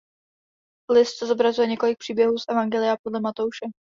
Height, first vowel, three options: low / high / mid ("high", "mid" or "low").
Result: high